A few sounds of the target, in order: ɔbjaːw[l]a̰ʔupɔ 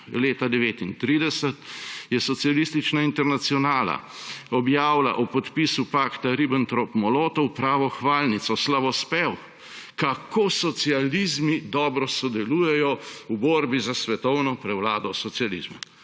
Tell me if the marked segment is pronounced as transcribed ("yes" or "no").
yes